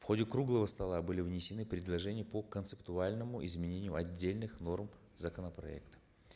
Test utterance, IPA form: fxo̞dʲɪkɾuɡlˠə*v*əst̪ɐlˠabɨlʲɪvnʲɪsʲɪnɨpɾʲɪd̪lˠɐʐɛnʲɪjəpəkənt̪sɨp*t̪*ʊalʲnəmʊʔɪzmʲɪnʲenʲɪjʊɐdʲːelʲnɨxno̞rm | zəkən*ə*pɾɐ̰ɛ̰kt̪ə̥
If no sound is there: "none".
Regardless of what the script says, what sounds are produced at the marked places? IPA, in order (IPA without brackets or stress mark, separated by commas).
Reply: v, t̪, ə